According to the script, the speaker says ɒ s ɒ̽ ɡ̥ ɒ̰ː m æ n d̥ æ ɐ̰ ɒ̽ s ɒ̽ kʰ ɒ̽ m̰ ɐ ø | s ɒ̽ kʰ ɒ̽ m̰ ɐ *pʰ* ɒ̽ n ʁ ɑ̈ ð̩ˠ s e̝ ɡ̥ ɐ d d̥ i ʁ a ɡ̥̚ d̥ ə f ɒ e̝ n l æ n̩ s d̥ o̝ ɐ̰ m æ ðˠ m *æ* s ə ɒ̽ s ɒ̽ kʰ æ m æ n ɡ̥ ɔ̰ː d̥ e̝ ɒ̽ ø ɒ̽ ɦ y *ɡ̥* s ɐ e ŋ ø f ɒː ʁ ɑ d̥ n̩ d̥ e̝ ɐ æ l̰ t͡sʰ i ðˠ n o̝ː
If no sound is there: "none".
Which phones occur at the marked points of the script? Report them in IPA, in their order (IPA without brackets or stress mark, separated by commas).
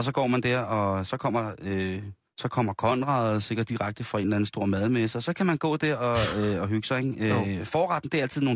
kʰ, e, ɡ̥